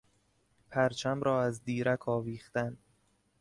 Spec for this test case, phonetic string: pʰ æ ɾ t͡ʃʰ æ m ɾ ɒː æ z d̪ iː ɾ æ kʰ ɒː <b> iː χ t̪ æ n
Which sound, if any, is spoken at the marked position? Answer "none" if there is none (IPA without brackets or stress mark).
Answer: v